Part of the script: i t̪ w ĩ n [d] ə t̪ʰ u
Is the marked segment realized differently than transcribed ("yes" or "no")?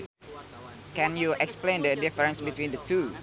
no